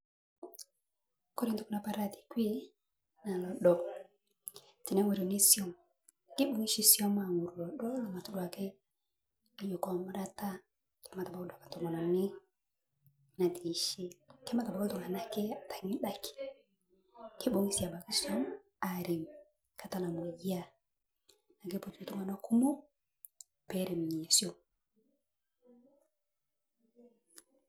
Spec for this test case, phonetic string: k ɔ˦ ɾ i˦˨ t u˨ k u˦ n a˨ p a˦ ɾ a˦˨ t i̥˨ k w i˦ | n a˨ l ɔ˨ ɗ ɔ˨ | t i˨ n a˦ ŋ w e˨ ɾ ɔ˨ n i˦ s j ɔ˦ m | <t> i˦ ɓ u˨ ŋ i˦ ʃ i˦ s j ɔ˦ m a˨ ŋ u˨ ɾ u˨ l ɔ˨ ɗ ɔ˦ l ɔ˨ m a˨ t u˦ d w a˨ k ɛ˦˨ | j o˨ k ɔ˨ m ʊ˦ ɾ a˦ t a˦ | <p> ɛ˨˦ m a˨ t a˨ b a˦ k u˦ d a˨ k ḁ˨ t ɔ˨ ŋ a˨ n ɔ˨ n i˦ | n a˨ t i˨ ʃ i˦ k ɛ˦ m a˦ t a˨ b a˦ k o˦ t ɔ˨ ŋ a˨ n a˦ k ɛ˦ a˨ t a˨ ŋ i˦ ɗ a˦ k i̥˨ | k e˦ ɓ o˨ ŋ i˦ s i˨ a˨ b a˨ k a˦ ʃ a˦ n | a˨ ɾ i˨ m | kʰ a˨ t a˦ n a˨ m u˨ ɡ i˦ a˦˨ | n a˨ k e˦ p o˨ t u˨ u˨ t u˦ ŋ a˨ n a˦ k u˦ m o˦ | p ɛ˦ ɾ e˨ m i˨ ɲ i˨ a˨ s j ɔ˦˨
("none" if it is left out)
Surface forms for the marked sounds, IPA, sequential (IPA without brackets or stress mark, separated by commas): k, k